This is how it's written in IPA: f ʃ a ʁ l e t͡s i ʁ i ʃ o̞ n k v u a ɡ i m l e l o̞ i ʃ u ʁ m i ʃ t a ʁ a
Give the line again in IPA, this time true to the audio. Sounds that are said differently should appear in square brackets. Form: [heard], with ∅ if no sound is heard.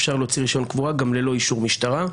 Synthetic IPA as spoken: f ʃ a ʁ l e t͡s i ʁ i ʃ o̞ n k v u a ɡ [a] m l e l o̞ i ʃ u ʁ m i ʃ t a ʁ a